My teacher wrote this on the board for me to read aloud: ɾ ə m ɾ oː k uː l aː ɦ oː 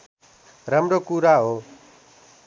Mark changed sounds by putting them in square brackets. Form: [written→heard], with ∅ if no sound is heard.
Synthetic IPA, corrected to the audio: ɾ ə m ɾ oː k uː [l→ɾ] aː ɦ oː